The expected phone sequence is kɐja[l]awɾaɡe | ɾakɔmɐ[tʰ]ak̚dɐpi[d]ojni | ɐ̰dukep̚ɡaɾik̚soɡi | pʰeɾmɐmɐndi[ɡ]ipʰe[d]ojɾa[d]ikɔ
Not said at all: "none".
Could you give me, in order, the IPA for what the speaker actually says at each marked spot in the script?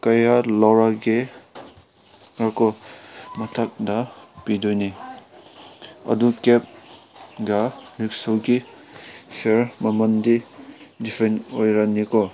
l, tʰ, d, d, n, n

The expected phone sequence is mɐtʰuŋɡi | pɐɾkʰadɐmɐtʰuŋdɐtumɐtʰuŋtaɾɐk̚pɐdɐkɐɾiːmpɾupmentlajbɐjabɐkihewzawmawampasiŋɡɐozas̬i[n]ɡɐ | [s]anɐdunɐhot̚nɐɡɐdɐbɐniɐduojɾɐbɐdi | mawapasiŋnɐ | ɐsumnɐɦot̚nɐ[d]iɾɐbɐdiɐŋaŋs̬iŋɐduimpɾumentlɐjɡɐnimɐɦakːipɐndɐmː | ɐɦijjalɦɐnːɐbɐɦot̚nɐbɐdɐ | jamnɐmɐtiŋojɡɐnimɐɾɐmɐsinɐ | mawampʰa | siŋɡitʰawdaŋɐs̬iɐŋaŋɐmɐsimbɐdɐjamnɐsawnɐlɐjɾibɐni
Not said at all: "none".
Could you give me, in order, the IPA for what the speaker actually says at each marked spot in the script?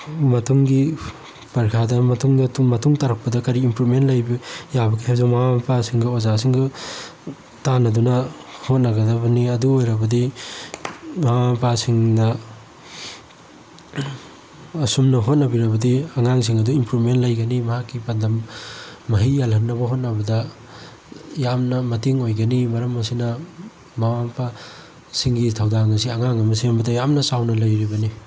ŋ, t, b

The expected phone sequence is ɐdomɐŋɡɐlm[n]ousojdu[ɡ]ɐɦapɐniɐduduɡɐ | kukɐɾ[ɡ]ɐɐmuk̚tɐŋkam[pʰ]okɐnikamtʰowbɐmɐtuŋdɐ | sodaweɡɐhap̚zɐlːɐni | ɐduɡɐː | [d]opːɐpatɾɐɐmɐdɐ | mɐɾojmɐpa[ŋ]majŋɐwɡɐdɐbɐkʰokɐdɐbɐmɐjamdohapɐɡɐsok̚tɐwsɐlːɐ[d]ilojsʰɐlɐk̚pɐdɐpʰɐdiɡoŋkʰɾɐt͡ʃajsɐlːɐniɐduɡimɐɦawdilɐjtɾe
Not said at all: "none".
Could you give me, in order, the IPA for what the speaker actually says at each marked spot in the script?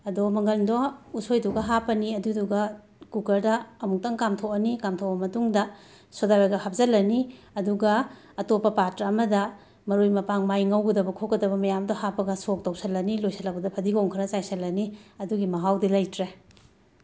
d, ɡ, d, tʰ, t, ŋ, n

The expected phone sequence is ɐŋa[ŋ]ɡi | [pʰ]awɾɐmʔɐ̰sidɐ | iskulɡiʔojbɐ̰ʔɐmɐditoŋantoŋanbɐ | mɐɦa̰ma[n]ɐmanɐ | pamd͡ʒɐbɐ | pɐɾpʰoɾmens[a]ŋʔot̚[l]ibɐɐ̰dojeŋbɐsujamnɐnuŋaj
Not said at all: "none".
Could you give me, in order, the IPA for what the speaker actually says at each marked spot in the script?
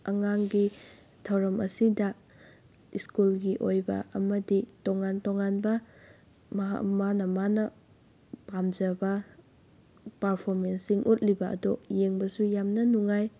ŋ, tʰ, n, i, l

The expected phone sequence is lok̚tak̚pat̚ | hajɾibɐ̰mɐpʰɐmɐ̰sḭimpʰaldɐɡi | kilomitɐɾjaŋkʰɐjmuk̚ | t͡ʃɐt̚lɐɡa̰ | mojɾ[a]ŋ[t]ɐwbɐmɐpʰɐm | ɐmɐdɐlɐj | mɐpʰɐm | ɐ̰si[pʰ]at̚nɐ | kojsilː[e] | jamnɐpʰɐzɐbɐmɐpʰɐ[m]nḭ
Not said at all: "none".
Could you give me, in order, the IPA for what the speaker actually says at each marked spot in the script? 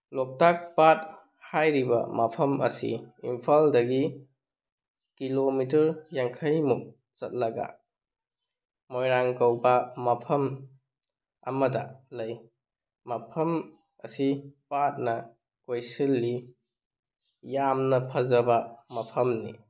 a, k, p, i, m

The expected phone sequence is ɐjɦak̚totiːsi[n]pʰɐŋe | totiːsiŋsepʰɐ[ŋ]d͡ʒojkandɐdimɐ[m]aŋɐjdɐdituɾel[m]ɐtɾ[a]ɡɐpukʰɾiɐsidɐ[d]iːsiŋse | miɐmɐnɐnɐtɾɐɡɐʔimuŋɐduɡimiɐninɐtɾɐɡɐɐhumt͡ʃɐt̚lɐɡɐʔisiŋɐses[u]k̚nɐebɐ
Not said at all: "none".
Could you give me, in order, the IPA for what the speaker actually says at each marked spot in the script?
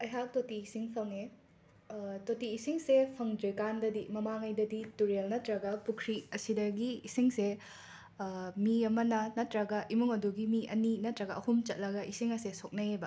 ŋ, ŋ, m, n, ɐ, ɡ, o

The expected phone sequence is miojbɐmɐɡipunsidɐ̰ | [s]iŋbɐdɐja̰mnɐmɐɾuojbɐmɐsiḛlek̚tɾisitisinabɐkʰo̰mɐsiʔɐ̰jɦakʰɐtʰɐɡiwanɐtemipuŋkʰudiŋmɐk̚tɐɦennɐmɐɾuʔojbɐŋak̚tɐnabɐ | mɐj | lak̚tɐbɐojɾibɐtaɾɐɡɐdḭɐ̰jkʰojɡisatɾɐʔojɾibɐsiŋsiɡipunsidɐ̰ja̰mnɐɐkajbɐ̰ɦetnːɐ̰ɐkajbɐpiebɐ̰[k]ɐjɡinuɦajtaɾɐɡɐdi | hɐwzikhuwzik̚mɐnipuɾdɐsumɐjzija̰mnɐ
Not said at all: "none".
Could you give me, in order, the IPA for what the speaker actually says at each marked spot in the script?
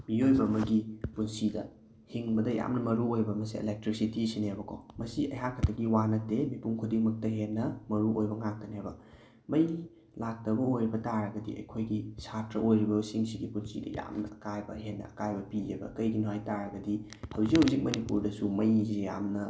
h, k

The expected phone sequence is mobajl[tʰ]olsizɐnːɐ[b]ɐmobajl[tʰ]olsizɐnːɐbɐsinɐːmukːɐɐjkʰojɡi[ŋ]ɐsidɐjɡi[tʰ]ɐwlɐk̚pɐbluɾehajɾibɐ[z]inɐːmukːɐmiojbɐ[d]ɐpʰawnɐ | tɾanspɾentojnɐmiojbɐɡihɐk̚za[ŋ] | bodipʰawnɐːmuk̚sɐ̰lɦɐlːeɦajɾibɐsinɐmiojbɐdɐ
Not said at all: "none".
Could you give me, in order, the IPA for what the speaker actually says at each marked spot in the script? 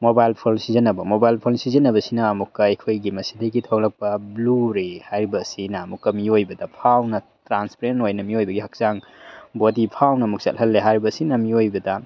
pʰ, b, pʰ, m, tʰ, s, d, ŋ

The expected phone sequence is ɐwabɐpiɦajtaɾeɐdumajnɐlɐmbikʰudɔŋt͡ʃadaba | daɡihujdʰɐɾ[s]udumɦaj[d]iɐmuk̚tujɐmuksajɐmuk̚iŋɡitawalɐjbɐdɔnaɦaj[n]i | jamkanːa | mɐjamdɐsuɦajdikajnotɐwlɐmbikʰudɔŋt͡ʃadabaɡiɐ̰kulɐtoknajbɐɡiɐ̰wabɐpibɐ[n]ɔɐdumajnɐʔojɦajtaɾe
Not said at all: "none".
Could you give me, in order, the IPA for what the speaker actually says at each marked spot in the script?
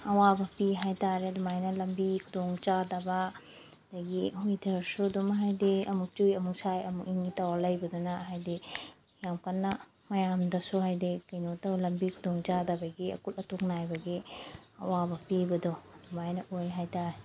s, d, d, d

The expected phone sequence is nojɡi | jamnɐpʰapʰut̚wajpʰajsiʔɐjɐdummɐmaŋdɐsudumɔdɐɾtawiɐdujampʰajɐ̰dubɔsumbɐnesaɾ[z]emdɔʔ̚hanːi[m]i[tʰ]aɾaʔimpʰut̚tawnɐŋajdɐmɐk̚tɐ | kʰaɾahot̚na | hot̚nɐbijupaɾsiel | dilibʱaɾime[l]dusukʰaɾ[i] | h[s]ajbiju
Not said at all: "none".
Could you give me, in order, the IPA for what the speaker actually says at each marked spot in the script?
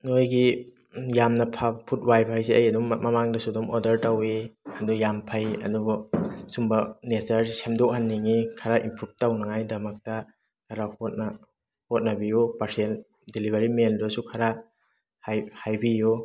s, ŋ, kʰ, l, a, h

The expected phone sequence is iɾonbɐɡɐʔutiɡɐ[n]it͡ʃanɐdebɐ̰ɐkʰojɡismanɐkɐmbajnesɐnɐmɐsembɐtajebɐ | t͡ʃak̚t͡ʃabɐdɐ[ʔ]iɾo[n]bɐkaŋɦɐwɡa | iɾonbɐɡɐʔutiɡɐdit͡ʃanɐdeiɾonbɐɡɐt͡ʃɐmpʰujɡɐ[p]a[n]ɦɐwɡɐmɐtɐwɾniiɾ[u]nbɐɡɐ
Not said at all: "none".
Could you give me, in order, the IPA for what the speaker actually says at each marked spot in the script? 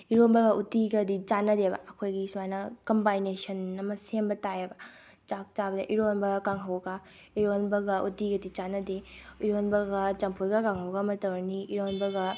d, ʔ, n, k, ŋ, o

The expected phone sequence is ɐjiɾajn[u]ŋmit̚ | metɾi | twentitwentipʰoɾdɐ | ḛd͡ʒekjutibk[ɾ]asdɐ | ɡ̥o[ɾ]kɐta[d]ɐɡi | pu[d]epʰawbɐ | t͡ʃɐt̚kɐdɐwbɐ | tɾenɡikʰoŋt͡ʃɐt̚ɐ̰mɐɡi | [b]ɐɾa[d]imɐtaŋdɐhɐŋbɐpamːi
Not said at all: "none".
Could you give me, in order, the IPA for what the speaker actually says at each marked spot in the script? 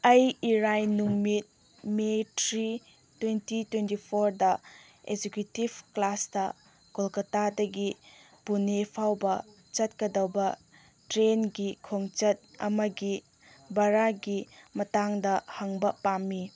u, l, l, d, n, b, ɡ

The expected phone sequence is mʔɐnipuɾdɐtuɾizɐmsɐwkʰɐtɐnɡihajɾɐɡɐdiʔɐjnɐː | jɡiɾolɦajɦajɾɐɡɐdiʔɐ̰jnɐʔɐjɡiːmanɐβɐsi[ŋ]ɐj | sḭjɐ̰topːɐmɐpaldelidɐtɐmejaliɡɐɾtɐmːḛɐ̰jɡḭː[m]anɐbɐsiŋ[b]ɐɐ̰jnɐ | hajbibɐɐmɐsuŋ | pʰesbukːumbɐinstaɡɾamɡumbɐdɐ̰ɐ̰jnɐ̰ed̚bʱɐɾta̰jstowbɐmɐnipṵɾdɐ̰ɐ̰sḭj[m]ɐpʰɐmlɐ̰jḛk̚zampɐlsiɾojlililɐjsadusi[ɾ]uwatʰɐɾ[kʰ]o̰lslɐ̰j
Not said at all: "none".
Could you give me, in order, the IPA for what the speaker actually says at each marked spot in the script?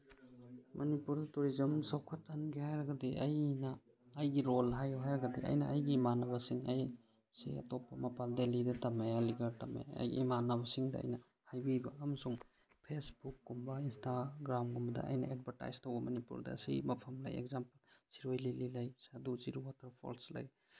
ŋ, m, d, m, ɾ, pʰ

